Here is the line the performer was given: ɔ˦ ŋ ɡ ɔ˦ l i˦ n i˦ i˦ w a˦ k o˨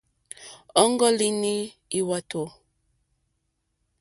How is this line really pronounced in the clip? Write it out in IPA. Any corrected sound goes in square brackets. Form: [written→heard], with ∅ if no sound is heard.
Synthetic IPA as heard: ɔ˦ ŋ ɡ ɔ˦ l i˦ n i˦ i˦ w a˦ [k→t] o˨